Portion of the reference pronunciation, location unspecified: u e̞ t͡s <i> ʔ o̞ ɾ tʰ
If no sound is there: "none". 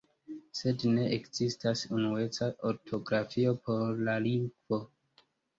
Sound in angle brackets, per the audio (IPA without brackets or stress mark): a